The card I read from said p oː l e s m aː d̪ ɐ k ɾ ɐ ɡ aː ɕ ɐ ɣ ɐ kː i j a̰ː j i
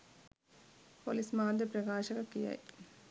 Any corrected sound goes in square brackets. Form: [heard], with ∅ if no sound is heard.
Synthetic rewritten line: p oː l [i] s m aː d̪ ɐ [p] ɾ ɐ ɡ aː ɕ ɐ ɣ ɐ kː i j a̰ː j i